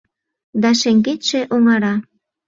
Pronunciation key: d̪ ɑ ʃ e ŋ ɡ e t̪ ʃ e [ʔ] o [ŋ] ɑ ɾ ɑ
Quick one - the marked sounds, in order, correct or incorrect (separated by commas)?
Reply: correct, correct